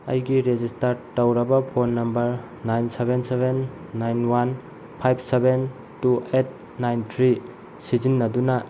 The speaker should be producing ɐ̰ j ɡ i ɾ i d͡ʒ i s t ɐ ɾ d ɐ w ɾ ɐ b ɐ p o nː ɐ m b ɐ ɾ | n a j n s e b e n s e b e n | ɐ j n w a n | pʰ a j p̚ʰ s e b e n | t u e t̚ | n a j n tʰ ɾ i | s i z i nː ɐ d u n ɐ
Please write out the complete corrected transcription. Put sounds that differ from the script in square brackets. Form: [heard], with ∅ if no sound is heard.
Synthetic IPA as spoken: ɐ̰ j ɡ i ɾ [e] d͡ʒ i s t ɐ ɾ [t] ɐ w ɾ ɐ b ɐ [pʰ] o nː ɐ m b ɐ ɾ | n a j n s e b e n s e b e [nː] | [a] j n w a n | pʰ a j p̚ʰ s e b e n | t u e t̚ | n a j n tʰ ɾ i | s i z i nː ɐ d u n ɐ